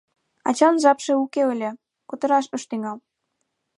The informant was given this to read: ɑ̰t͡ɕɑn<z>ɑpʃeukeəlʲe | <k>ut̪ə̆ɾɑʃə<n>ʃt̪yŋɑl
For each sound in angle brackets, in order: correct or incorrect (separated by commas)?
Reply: incorrect, correct, incorrect